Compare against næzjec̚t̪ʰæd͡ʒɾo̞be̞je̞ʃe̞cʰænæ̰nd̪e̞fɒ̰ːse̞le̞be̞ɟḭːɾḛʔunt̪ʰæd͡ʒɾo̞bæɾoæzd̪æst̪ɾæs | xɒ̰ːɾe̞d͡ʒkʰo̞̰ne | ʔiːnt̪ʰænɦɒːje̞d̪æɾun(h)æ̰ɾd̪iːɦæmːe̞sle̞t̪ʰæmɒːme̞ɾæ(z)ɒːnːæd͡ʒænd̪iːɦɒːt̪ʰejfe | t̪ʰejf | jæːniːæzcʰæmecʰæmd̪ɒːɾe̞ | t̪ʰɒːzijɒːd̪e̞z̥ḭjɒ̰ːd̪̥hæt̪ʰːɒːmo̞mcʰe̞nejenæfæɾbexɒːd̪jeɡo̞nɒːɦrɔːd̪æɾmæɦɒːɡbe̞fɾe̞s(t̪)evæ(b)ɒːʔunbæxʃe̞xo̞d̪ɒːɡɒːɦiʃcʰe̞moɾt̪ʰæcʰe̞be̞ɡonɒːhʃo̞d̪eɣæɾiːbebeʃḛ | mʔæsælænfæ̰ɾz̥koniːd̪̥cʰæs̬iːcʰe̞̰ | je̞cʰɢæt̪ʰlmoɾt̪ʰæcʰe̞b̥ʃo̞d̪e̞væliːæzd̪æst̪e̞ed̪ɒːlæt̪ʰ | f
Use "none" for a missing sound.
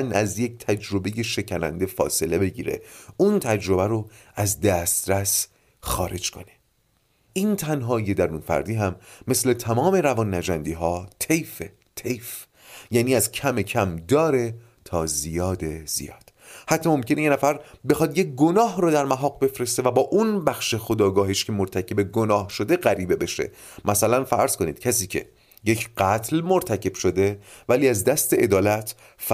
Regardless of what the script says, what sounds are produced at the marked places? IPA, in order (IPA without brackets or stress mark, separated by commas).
f, v, t̪, b